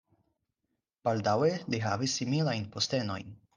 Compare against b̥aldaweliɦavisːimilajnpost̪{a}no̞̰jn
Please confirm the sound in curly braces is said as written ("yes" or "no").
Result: no